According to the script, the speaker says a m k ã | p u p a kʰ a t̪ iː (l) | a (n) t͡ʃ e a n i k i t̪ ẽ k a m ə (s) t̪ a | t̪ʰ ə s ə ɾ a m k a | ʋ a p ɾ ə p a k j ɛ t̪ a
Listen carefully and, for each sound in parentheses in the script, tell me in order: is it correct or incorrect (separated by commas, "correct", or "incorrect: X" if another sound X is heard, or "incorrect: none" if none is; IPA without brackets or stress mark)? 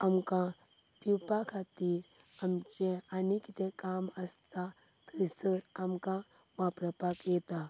incorrect: ɾ, incorrect: m, correct